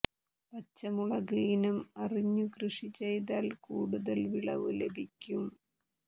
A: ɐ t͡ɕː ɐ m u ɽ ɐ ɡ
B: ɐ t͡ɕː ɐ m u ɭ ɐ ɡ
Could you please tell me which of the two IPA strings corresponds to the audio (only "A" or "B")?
B